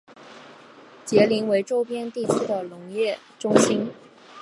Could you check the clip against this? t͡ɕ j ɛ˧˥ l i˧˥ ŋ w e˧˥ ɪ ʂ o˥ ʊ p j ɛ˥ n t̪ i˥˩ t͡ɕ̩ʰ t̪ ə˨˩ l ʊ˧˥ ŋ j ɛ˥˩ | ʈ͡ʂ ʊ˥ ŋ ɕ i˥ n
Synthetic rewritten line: t͡ɕ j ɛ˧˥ l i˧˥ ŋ w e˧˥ ɪ ʈ͡ʂ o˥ ʊ p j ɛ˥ n t̪ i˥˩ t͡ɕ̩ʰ d̪ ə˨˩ l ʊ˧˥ ŋ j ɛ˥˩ | ʈ͡ʂ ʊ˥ ŋ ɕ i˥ n

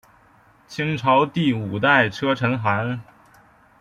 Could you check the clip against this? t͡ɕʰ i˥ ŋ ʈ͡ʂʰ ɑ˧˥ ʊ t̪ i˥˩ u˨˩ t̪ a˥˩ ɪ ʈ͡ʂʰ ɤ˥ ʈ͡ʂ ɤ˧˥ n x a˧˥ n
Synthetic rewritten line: t͡ɕʰ i˥ ŋ ʈ͡ʂʰ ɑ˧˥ ʊ t̪ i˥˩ u˨˩ t̪ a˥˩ ɪ ʈ͡ʂʰ ɤ˥ ʈ͡ʂʰ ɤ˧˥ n x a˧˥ n

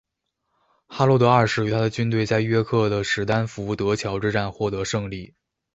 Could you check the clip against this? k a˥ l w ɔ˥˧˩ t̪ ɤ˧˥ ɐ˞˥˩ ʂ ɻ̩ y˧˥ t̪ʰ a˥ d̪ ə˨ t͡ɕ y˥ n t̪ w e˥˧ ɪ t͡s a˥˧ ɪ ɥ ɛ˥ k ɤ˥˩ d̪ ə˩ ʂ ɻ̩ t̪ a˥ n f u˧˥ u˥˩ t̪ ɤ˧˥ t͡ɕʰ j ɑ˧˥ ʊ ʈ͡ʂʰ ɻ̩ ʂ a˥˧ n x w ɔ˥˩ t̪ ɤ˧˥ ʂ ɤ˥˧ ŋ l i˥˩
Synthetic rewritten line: x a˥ l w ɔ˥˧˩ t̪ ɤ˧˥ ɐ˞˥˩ ʂ ɻ̩ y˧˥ t̪ʰ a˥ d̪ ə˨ t͡ɕ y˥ n t̪ w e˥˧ ɪ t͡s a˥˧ ɪ ɥ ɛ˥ kʰ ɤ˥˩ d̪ ə˩ ʂ ɻ̩ t̪ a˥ n f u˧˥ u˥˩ t̪ ɤ˧˥ t͡ɕʰ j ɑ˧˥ ʊ ʈ͡ʂ ɻ̩ ʈ͡ʂ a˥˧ n x w ɔ˥˩ t̪ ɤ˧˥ ʂ ɤ˥˧ ŋ l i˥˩

